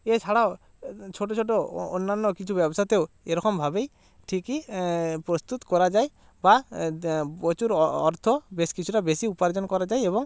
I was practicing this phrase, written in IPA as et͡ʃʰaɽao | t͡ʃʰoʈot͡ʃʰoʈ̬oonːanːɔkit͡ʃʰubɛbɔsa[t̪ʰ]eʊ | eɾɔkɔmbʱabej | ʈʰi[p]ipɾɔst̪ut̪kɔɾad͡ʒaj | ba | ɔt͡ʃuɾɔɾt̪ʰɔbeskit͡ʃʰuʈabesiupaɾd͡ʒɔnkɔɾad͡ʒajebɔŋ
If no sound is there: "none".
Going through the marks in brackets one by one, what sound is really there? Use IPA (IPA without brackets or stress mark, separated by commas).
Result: t̪, k